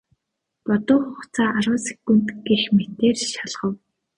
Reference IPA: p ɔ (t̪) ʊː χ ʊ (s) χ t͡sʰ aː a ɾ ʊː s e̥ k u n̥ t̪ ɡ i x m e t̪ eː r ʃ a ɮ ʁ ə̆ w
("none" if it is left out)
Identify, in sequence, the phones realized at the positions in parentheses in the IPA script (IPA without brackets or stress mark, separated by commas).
t̪, none